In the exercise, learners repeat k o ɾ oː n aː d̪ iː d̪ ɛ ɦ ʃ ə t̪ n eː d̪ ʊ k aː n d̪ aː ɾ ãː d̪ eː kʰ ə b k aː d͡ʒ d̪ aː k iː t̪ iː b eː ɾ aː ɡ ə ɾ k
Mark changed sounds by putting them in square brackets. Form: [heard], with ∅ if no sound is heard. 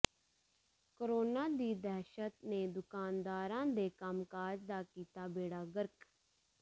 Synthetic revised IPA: k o ɾ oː n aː d̪ iː d̪ ɛ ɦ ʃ ə t̪ n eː d̪ ʊ k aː n d̪ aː ɾ ãː d̪ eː [k] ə [m] k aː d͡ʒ d̪ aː k iː t̪ [aː] b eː [ɽ] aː ɡ ə ɾ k